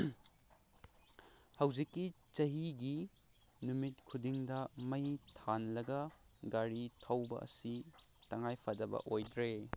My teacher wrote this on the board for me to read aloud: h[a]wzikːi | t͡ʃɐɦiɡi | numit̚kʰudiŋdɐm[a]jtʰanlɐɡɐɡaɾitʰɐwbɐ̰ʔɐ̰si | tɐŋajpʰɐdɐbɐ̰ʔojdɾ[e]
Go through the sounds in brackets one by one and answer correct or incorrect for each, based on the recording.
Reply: incorrect, incorrect, correct

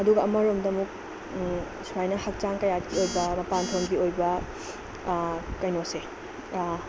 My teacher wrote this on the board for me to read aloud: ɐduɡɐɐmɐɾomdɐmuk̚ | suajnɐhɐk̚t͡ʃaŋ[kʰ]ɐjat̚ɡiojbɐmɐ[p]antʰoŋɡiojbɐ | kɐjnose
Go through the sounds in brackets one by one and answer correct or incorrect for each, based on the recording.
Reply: incorrect, correct

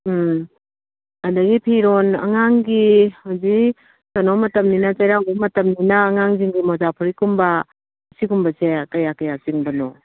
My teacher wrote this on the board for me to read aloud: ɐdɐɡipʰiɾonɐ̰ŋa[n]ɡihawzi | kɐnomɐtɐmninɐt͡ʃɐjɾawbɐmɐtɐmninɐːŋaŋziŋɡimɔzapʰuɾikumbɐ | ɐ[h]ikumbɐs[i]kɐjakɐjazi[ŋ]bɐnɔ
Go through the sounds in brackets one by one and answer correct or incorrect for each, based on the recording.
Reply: incorrect, incorrect, incorrect, correct

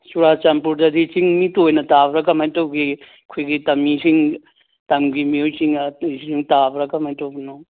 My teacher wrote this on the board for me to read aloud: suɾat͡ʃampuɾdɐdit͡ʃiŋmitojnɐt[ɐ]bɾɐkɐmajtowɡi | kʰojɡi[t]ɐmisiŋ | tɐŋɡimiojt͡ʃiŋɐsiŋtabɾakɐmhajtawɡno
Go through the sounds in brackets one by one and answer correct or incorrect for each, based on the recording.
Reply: incorrect, correct

